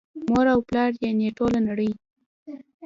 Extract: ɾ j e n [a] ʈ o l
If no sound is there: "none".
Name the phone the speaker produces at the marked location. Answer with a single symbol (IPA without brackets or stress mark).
e